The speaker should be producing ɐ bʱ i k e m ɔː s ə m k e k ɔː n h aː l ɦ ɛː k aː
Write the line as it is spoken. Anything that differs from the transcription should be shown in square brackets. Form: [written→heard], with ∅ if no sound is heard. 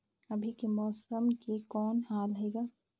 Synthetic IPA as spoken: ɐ bʱ i k e m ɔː s ə m k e k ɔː n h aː l ɦ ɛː [k→ɡ] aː